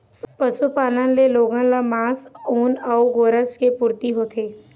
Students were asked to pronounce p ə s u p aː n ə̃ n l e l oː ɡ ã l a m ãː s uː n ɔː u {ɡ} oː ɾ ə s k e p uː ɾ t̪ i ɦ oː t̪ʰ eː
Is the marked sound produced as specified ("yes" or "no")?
yes